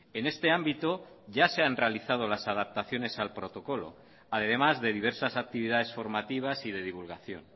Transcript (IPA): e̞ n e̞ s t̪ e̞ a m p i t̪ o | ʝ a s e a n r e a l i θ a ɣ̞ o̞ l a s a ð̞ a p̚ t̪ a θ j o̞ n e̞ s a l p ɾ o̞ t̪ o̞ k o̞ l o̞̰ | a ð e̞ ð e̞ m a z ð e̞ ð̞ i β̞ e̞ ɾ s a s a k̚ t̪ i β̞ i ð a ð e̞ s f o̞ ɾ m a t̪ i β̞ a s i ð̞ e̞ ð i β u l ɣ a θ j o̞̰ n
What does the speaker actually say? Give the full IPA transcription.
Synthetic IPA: e̞ n e̞ s t̪ e̞ a m b i t̪ o | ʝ a s e a n r e a l i θ a ð̞ o̞ l a s a ð̞ a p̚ t̪ a θ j o̞ n e̞ s a l p ɾ o̞ t̪ o̞ k o̞ l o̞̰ | a ð e̞ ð e̞ m a z ð e̞ ð̞ i β̞ e̞ ɾ s a s a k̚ t̪ i β̞ i ð a ð e̞ s f o̞ ɾ m a t̪ i β̞ a s i ð̞ e̞ ð i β u l ɣ a θ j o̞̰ n